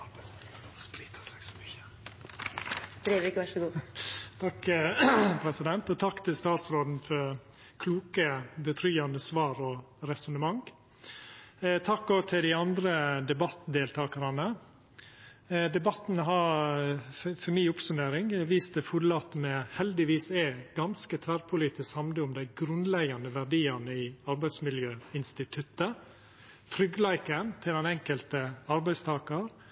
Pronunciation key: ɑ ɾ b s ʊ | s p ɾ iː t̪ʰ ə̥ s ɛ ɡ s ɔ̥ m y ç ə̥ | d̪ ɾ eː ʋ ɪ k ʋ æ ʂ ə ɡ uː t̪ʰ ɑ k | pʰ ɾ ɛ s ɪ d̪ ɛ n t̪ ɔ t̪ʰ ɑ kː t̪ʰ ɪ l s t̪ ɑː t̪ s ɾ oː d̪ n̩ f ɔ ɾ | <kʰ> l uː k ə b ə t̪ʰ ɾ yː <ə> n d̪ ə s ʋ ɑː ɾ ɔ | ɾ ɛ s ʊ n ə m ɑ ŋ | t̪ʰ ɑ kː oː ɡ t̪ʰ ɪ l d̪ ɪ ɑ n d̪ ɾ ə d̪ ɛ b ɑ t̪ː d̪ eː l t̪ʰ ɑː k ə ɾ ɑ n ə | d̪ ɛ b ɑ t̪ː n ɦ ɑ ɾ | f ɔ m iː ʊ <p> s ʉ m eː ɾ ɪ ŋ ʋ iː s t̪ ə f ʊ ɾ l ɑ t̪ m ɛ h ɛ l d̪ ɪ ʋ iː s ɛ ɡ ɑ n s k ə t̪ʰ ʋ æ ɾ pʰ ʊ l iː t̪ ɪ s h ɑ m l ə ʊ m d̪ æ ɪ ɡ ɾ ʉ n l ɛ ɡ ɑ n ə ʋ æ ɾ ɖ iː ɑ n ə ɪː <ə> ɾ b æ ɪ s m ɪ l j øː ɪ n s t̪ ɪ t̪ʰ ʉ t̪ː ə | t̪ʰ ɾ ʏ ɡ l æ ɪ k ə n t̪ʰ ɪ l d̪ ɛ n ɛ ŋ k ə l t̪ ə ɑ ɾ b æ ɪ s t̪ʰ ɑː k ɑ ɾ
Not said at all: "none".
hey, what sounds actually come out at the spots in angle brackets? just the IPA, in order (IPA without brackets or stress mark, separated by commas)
kʰ, ɑ, p, ɑ